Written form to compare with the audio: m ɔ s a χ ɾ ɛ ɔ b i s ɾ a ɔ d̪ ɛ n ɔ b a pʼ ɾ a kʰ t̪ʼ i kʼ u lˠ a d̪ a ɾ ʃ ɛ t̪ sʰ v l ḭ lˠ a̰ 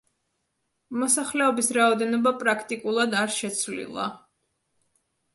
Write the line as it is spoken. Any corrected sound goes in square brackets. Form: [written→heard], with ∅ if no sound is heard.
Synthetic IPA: m ɔ s a χ [ɾ→l] ɛ ɔ b i s ɾ a ɔ d̪ ɛ n ɔ b a pʼ ɾ a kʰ t̪ʼ i kʼ u lˠ a d̪ a ɾ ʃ ɛ t̪ sʰ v l ḭ lˠ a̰

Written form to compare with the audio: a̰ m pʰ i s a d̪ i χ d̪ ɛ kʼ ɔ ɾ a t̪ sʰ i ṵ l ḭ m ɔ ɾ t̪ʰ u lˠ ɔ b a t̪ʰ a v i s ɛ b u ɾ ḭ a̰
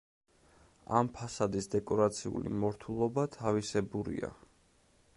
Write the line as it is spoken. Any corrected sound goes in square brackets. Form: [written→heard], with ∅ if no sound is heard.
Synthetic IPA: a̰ m pʰ [i→a] s a d̪ i [χ→s] d̪ ɛ kʼ ɔ ɾ a t̪ sʰ i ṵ l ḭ m ɔ ɾ t̪ʰ u lˠ ɔ b a t̪ʰ a v i s ɛ b u ɾ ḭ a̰

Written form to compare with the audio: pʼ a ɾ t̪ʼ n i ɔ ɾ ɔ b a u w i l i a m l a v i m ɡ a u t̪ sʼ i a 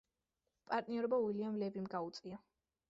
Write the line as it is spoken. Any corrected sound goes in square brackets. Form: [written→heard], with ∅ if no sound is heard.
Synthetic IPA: pʼ a ɾ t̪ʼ n i ɔ ɾ ɔ b a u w i l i a m l [a→ɛ] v i m ɡ a u t̪ sʼ i a

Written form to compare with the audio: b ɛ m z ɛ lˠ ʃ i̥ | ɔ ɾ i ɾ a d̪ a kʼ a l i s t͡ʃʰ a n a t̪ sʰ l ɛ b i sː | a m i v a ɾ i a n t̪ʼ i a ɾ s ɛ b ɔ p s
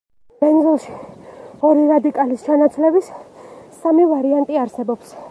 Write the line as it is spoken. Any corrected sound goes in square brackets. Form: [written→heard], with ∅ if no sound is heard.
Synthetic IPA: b ɛ [m→n] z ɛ lˠ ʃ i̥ | ɔ ɾ i ɾ a d̪ [a→i] kʼ a l i s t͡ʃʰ a n a t̪ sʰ l ɛ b i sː | a m i v a ɾ i a n t̪ʼ i a ɾ s ɛ b ɔ p s

